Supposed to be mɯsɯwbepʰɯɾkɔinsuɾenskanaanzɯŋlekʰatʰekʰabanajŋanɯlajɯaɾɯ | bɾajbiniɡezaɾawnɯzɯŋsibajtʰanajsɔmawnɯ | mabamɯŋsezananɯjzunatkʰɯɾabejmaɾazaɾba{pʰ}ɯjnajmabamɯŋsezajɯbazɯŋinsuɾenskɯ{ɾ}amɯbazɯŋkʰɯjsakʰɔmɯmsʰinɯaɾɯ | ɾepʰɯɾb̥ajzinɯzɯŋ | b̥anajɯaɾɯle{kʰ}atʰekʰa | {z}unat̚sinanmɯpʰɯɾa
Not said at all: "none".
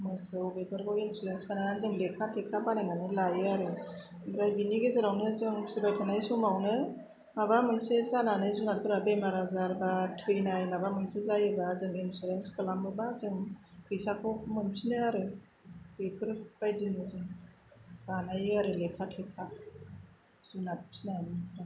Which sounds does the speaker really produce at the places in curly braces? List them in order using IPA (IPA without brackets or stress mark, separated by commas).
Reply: tʰ, l, kʰ, z